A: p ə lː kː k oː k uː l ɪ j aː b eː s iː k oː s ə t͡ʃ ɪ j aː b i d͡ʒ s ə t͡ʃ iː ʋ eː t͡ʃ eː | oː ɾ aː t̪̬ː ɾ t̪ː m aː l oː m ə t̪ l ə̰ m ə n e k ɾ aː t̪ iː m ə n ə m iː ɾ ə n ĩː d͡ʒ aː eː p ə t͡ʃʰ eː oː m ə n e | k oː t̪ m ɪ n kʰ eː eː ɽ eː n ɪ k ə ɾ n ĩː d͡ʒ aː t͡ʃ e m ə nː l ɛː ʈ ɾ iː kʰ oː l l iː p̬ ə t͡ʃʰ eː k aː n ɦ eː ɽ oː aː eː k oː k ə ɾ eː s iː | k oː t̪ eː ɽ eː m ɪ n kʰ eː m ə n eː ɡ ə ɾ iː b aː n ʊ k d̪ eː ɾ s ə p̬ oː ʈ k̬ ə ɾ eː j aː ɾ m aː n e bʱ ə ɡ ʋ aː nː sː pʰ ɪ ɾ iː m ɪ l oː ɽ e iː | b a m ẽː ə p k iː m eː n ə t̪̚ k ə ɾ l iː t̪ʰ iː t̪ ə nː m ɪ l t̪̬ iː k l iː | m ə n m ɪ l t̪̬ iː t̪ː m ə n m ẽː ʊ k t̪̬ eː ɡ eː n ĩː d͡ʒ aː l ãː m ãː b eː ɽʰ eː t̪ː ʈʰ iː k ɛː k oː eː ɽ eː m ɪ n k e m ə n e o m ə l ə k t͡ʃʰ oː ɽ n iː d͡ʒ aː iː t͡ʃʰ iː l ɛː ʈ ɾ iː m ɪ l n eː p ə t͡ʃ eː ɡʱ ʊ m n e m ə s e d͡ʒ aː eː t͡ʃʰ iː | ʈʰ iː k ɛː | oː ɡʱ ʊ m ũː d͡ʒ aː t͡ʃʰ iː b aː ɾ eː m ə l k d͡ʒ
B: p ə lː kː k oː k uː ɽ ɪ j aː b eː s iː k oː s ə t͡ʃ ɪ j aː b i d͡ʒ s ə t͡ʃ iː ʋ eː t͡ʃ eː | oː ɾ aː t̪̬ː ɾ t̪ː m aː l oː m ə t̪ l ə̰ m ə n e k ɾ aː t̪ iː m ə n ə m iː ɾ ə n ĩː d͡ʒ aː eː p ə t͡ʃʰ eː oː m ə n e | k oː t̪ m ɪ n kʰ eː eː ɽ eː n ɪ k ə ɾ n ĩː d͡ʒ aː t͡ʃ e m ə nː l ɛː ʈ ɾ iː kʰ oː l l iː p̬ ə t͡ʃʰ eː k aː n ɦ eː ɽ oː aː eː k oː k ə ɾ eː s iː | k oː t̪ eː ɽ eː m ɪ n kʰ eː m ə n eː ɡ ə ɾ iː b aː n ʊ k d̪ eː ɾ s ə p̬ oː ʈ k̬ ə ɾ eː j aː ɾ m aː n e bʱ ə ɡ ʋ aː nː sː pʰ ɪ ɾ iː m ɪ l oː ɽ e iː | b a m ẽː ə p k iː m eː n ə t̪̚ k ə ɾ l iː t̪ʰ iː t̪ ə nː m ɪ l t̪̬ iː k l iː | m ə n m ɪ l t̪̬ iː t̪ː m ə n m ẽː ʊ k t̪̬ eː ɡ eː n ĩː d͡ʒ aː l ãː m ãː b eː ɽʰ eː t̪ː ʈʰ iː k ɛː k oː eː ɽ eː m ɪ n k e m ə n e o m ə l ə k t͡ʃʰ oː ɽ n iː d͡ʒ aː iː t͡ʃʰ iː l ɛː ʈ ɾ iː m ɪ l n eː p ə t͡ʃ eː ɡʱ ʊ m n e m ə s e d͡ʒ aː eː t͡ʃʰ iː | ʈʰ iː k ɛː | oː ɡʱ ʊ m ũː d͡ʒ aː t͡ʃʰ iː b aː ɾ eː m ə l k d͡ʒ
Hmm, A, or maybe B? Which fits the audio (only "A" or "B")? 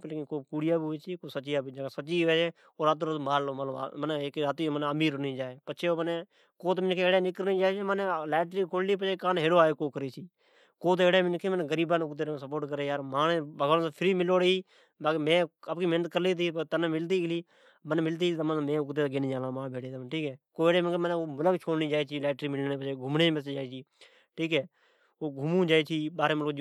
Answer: B